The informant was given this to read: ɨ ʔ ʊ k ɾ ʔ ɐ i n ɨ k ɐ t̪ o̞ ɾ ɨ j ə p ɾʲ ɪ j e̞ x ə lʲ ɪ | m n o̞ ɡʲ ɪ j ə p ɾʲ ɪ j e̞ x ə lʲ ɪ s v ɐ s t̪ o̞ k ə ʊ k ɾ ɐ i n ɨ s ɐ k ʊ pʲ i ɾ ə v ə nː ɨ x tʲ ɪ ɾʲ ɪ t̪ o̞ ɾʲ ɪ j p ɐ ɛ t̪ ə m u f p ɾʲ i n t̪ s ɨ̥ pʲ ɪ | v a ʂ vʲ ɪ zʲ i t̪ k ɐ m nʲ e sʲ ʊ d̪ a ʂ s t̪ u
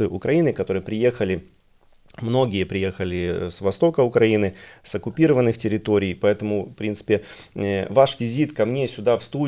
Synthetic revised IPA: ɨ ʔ ʊ k ɾ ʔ ɐ i n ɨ k ɐ t̪ o̞ ɾ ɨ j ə p ɾʲ ɪ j e̞ x ə lʲ ɪ | m n o̞ ɡʲ ɪ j ə p ɾʲ ɪ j e̞ x ə lʲ ɪ s v ɐ s t̪ o̞ k ə ʊ k ɾ ɐ i n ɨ s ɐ k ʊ pʲ i ɾ ə v ə nː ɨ x tʲ ɪ ɾʲ ɪ t̪ o̞ ɾʲ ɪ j p ɐ ɛ t̪ ə m ʊ f p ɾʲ i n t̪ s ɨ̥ pʲ ɪ | v a ʂ vʲ ɪ zʲ i t̪ k ɐ m nʲ e sʲ ʊ d̪ a f s t̪ u